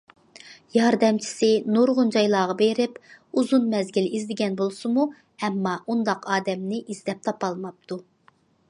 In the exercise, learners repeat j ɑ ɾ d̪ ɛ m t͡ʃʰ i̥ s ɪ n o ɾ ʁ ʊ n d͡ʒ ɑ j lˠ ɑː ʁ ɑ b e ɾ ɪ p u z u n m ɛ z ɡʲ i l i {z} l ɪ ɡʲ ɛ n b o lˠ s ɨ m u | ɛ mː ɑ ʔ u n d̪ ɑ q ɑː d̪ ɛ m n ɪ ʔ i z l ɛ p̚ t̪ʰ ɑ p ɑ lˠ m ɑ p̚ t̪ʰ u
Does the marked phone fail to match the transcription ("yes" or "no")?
no